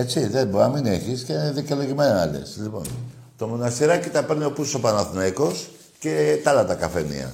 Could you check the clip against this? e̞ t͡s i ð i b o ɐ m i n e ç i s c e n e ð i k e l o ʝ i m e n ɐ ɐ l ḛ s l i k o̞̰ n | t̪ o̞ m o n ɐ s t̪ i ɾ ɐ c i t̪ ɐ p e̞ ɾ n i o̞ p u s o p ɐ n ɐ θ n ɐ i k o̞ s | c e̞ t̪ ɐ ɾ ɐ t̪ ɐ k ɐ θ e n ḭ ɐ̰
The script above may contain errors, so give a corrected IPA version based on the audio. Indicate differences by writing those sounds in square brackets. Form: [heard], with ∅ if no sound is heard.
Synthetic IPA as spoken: e̞ t͡s i ð [e] b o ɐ m i n e ç i s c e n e ð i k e l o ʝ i m e n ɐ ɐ l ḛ s l i [p] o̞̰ n | t̪ o̞ m o n ɐ s t̪ i ɾ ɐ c i t̪ ɐ p e̞ ɾ n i o̞ p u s o p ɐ n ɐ θ n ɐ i k o̞ s | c e̞ t̪ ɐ [l] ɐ t̪ ɐ k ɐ [f] e n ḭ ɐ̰